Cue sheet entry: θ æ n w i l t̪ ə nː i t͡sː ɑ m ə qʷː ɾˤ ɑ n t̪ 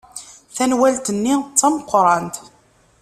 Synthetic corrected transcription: θ æ n w æ l t̪ ə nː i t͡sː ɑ m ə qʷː ɾˤ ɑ n t̪